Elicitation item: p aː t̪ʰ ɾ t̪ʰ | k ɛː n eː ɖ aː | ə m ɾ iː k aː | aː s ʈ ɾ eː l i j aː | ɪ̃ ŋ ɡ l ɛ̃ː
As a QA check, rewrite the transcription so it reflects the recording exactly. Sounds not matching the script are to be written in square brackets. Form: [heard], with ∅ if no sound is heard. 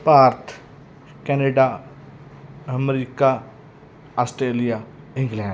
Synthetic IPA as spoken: p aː [∅] ɾ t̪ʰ | k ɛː n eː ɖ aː | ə m ɾ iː k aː | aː s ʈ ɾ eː l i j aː | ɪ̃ ŋ ɡ l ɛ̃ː